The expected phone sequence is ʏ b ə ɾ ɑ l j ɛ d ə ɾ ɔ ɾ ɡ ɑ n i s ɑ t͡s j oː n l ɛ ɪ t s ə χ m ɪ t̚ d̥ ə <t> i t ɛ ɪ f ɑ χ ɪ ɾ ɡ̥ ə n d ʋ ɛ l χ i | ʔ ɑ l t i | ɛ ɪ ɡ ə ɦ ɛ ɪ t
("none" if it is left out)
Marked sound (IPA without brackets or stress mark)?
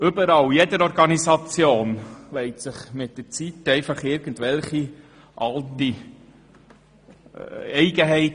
t͡s